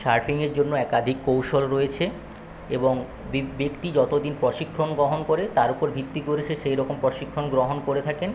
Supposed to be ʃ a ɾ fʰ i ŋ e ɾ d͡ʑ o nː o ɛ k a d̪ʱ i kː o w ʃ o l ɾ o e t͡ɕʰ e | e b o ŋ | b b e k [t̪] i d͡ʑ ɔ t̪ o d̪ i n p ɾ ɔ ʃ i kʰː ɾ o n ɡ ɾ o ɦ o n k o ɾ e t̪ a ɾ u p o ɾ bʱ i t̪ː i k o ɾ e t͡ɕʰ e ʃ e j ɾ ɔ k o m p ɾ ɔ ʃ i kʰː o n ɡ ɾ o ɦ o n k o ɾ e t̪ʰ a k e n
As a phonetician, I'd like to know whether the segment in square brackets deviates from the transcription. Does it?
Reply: no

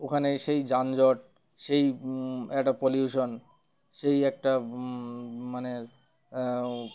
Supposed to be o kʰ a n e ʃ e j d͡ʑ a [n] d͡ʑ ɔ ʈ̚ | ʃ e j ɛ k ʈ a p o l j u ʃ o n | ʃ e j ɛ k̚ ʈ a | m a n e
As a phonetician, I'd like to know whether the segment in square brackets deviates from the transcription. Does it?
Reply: no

